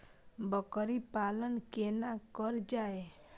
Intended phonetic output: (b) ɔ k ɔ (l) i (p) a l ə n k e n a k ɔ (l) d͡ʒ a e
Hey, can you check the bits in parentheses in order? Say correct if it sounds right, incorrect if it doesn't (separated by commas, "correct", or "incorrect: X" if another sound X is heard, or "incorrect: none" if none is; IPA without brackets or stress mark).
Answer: correct, incorrect: ɾ, correct, incorrect: ɾ